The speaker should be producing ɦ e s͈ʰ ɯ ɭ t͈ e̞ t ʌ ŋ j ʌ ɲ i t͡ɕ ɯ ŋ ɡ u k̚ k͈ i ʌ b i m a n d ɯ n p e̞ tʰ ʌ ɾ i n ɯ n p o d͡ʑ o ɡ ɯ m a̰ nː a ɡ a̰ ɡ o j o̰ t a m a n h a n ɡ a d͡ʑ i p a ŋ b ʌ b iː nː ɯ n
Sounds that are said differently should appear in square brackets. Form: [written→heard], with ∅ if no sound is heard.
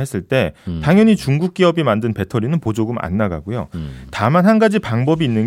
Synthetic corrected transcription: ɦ e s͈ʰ ɯ ɭ t͈ e̞ t [ʌ→a] ŋ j ʌ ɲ i t͡ɕ [ɯ→u] ŋ ɡ u k̚ k͈ i ʌ b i m a n d ɯ n p e̞ tʰ ʌ ɾ i n ɯ n p o d͡ʑ o ɡ ɯ m a̰ nː a ɡ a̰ ɡ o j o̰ t a m a n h a n ɡ a d͡ʑ i p a ŋ b ʌ b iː nː ɯ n